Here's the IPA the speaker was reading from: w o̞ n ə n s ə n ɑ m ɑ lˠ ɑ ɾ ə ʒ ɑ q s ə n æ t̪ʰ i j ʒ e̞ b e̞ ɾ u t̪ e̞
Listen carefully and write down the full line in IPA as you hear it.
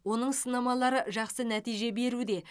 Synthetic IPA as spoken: w o̞ n ə ɴ s ə n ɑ m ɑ lˠ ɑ ɾ ə ʒ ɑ q s ə n æ t̪ i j ʒ e̞ b e̞ ɾ u d̪ e̞